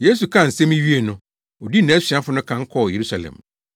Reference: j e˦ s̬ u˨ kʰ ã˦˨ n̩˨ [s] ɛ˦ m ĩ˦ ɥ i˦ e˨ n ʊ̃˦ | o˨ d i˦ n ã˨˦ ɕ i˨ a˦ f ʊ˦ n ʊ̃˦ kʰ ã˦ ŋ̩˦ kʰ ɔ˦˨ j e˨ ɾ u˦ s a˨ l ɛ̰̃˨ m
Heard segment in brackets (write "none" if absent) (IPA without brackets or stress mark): s